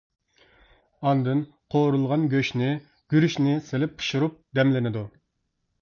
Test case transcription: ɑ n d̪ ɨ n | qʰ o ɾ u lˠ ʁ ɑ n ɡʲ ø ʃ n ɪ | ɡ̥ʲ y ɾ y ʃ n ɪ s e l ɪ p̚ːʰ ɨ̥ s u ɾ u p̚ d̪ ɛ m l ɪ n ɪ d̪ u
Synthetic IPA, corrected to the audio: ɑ n d̪ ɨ n | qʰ o ɾ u lˠ ʁ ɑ n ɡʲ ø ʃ n ɪ | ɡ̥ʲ y ɾ y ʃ n ɪ s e l ɪ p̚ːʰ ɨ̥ ʃ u ɾ u p̚ d̪ ɛ m l ɪ n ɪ d̪ u